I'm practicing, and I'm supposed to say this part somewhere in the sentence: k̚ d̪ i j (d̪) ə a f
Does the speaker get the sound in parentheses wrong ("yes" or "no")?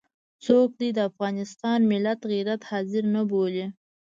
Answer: no